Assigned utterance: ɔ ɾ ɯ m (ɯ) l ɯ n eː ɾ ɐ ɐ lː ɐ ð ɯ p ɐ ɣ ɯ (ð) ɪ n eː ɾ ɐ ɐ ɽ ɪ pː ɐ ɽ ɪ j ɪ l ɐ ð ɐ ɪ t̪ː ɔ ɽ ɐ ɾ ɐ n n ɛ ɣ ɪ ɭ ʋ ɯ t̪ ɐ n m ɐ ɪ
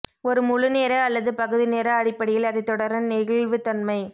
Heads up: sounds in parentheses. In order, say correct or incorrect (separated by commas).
incorrect, correct